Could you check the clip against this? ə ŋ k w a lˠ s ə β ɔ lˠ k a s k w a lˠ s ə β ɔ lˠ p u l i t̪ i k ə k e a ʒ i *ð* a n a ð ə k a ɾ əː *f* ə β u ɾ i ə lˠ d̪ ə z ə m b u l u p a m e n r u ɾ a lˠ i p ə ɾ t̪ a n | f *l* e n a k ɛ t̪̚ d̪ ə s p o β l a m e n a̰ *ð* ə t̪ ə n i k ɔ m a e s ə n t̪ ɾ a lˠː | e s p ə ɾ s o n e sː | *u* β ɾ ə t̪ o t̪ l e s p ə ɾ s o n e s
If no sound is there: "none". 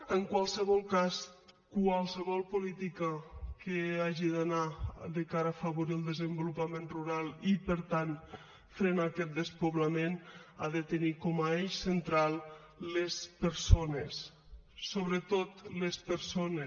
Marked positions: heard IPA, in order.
ð, f, ɾ, ð, o

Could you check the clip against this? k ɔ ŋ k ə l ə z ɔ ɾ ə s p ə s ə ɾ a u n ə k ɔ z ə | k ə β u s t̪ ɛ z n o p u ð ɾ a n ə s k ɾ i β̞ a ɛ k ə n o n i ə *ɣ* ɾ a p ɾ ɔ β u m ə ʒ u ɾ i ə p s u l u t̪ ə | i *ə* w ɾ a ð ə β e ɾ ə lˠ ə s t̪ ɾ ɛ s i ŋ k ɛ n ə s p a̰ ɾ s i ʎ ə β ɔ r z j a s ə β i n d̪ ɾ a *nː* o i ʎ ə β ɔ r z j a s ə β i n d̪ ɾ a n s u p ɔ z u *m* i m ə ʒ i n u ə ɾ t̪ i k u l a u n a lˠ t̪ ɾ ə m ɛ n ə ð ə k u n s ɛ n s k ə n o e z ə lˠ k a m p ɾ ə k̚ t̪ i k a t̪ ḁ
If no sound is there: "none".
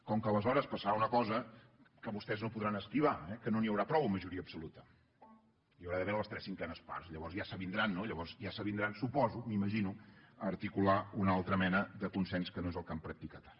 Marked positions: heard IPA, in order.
w, ə, nː, m

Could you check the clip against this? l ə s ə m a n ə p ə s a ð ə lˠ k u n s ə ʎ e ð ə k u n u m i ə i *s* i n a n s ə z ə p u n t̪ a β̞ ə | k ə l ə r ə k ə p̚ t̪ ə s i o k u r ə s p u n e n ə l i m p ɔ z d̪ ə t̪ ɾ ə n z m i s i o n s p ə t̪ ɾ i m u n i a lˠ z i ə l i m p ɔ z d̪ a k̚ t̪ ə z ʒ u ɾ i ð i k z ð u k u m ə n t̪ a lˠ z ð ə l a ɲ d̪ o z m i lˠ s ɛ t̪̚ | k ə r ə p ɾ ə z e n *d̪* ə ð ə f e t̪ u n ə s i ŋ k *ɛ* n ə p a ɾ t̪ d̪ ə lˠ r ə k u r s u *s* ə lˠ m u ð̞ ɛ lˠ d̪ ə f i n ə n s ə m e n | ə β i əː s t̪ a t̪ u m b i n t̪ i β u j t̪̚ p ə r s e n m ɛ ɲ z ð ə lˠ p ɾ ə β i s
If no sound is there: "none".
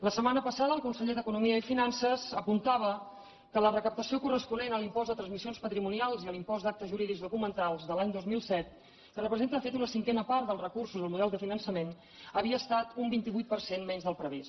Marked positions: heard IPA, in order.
f, t̪, ɛ, z

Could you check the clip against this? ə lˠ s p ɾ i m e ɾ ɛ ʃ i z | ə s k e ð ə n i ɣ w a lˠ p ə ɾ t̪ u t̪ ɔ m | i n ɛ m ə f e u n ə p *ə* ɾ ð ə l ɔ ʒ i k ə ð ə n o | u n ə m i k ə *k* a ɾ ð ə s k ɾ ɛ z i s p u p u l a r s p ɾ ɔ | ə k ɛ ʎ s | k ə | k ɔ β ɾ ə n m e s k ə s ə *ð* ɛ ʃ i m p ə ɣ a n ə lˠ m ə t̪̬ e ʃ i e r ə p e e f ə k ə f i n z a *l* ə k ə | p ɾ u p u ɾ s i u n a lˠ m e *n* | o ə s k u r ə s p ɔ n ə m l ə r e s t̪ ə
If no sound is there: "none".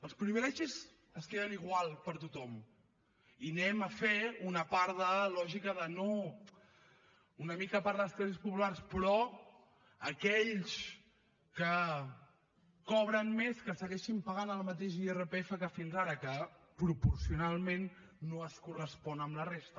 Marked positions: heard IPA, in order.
a, p, ɣ, ɾ, nː

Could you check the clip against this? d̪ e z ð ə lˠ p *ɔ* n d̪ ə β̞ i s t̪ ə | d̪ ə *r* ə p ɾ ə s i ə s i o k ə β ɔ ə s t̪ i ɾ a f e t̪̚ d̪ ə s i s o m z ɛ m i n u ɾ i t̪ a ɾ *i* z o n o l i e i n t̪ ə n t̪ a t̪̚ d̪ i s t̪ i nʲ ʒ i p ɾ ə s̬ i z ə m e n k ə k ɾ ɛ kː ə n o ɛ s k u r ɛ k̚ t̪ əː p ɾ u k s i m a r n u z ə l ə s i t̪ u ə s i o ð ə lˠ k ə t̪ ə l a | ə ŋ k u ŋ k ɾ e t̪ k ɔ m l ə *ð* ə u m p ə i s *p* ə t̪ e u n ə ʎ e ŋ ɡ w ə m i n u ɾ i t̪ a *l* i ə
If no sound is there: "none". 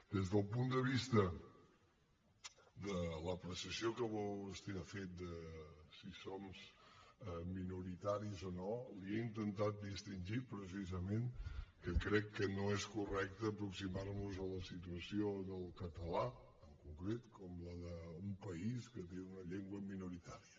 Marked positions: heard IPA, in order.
u, l, i, ð, k, ɾ

